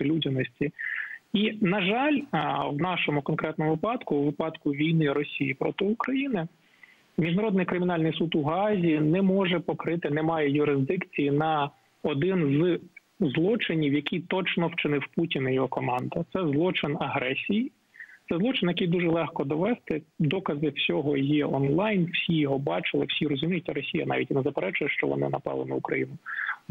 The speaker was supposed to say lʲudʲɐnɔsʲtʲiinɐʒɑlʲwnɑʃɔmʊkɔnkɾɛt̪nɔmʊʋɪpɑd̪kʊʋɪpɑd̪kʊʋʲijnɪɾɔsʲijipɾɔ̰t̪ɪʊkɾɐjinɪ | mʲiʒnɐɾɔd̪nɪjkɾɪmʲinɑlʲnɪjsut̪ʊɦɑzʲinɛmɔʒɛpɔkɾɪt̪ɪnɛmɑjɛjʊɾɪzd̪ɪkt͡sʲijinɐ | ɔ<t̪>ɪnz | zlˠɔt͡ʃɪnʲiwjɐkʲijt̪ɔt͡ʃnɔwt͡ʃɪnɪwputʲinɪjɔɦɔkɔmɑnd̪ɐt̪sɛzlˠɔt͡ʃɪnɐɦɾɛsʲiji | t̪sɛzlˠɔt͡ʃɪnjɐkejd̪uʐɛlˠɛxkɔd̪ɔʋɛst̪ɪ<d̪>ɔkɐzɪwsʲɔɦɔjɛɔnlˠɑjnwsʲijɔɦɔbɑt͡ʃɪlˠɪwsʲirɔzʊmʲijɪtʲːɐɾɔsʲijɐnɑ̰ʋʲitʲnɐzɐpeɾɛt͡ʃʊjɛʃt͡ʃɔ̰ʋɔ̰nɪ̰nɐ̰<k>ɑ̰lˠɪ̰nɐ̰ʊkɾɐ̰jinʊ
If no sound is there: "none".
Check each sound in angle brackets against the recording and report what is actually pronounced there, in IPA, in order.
d̪, d̪, p

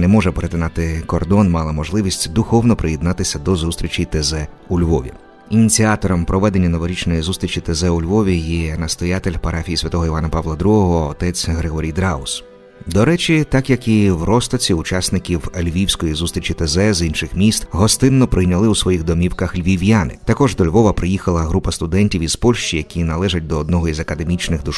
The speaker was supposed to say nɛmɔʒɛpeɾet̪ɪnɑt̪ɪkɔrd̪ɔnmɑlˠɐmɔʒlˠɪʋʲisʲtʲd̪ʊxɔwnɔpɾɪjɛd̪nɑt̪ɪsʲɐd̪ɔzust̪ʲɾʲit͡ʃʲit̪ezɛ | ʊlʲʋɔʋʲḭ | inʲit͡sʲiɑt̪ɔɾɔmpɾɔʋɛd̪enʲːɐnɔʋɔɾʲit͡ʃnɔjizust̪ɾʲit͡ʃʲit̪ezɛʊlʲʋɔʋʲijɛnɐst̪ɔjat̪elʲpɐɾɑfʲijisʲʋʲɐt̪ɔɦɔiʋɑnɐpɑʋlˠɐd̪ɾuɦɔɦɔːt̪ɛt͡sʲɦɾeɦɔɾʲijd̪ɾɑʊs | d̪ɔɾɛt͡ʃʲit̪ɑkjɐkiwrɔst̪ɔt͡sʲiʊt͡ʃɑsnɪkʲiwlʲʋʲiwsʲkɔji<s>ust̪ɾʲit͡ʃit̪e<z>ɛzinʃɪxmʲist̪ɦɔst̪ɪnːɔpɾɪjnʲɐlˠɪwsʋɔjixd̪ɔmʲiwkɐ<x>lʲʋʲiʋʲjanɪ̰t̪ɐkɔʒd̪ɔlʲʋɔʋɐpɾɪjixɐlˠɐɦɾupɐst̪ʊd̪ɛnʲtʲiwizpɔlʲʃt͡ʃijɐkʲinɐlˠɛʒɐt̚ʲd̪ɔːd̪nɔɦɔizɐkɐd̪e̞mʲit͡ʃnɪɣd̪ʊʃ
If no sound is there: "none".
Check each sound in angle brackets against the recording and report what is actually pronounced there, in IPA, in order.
z, z, x

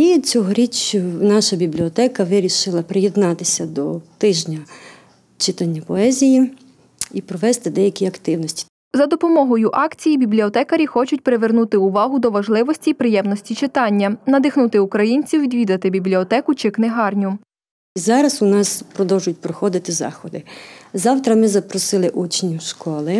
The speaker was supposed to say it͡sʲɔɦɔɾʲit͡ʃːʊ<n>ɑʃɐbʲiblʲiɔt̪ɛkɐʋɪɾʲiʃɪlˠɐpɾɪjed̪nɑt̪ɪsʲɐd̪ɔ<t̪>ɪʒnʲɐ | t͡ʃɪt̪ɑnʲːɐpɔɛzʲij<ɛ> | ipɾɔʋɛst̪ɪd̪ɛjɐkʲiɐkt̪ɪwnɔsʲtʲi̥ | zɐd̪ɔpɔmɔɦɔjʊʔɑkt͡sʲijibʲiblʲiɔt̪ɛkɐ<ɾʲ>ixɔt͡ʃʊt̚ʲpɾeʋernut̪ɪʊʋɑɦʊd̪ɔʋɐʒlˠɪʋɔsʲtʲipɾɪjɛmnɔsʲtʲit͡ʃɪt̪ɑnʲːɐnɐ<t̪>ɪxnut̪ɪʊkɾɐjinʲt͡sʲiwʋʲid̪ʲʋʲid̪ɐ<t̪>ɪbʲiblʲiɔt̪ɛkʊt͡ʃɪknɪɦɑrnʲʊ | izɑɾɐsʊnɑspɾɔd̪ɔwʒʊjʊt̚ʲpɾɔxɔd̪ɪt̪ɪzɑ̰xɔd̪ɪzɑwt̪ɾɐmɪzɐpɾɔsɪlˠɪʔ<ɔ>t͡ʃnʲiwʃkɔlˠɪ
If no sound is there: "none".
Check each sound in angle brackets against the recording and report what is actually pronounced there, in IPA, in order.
n, t̪, i, ɾʲ, d̪, t̪, u

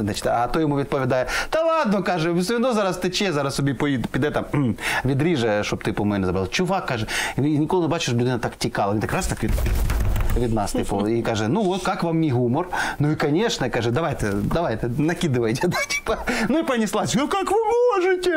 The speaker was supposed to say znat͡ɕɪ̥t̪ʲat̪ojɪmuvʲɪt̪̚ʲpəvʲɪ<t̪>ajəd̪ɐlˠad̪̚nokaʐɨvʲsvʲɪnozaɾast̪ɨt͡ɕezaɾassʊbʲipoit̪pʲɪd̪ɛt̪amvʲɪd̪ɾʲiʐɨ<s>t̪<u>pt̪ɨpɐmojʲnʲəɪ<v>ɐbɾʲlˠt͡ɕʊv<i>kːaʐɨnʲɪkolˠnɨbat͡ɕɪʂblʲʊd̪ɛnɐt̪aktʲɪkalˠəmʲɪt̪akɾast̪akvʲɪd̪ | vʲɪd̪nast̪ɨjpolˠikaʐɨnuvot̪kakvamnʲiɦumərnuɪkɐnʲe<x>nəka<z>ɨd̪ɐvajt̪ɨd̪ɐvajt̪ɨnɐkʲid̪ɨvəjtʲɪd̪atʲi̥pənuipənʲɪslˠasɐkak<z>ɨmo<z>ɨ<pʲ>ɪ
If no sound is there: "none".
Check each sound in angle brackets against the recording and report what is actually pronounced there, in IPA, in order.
d̪, ʂ, o, z, a, ʂ, ʐ, v, ʐ, tʲ

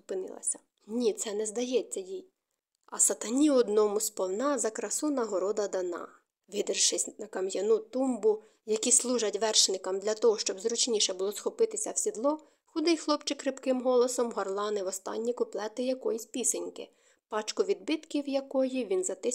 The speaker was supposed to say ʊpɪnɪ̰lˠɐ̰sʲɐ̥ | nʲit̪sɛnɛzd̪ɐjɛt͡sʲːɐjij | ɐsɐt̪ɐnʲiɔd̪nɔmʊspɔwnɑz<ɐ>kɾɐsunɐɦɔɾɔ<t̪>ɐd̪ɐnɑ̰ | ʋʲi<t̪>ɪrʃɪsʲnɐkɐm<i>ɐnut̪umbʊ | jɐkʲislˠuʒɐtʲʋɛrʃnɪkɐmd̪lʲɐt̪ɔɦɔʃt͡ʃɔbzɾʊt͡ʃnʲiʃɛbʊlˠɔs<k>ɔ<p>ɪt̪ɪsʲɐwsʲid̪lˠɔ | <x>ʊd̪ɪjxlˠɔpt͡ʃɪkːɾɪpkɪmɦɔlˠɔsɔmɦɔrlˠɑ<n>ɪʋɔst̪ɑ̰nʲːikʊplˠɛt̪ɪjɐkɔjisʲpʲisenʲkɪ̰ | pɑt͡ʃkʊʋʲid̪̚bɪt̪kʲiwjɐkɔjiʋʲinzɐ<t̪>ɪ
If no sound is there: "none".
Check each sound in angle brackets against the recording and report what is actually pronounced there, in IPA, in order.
ɐ, d̪, d̪, j, x, p, x, n, t̪

